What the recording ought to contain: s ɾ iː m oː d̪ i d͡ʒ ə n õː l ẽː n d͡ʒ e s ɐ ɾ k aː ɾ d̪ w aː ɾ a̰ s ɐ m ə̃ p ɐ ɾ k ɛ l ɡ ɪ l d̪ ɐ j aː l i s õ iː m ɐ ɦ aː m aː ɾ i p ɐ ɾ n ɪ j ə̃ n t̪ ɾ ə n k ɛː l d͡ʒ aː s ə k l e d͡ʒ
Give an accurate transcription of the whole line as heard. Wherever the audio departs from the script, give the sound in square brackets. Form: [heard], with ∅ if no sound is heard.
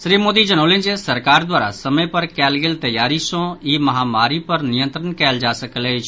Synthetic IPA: s ɾ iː m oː d̪ i d͡ʒ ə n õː l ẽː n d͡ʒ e s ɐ ɾ k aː ɾ d̪ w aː ɾ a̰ s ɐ m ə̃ p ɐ ɾ k [ɛː] l ɡ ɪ l [t̪] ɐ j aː [ɾ] i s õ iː m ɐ ɦ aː m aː ɾ i p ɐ ɾ n ɪ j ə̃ n t̪ ɾ ə n k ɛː l d͡ʒ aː s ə k l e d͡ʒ